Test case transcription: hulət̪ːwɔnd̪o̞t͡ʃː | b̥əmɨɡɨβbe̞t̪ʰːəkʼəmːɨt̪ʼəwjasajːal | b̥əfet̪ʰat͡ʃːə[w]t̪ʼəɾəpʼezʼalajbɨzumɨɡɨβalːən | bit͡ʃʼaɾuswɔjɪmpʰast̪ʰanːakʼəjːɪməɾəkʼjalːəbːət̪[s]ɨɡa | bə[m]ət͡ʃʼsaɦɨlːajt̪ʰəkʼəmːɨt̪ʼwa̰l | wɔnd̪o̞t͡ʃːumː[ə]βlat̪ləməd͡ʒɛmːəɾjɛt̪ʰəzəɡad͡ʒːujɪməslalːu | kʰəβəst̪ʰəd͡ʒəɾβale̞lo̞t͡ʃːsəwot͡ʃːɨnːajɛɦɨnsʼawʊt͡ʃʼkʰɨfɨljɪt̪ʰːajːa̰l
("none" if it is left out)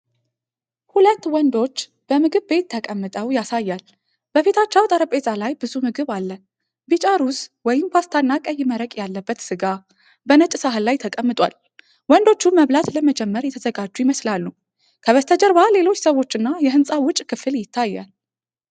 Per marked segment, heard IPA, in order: w, s, n, ə

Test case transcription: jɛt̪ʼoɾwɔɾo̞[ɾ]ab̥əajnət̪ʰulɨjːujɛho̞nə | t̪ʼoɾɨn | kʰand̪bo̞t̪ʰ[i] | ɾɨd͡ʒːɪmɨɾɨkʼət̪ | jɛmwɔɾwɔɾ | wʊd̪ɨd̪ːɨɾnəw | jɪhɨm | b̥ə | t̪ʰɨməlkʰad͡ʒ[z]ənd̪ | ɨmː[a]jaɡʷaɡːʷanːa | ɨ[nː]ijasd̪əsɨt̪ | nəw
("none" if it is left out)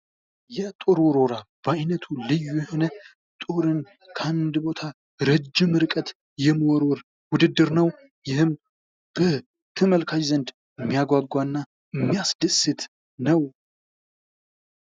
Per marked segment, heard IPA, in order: ɾ, a, z, i, mː

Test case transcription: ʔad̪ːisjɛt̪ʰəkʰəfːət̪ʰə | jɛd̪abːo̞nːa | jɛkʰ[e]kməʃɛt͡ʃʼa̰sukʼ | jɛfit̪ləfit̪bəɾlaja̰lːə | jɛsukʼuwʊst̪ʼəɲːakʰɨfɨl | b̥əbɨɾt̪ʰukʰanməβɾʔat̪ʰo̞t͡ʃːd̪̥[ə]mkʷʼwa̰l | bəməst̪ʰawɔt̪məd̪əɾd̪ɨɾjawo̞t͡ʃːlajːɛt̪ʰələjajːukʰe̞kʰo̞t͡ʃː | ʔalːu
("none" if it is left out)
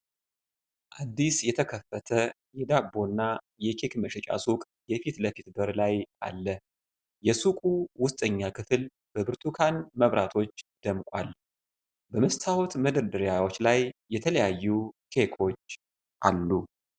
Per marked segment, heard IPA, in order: e, ə

